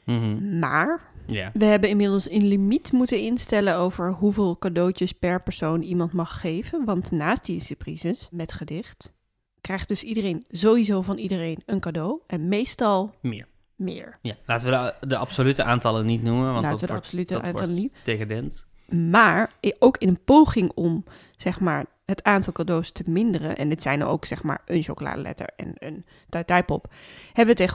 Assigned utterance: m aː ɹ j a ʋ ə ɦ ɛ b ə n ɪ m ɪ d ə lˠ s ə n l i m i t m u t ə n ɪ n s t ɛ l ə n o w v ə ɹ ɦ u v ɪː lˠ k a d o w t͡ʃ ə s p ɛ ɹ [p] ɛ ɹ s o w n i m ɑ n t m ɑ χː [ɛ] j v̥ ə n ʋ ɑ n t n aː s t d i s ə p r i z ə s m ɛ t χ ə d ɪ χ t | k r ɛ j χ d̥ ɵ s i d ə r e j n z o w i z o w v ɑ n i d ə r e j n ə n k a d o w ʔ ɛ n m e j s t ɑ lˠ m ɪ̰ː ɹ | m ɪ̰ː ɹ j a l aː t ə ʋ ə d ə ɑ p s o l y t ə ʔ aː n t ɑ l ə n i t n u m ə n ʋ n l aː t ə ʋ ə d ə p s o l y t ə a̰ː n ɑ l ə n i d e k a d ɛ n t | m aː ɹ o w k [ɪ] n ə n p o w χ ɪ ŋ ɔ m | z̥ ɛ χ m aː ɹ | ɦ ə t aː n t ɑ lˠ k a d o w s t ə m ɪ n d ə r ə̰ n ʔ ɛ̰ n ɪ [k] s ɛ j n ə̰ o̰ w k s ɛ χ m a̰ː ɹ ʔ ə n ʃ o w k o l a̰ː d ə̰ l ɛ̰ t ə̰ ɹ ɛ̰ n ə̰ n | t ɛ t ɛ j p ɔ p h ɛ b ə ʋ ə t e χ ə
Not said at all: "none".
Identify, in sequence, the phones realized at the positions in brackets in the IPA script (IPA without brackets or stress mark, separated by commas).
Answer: p, e, ɪ, t